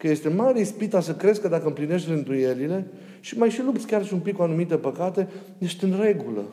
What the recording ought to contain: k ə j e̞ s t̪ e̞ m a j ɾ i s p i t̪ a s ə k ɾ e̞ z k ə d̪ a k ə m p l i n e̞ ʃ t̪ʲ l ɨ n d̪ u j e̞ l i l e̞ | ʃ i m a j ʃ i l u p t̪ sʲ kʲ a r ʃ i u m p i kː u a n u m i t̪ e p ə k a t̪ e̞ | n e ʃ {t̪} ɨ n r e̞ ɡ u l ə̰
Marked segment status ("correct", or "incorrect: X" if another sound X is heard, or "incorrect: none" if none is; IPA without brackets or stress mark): correct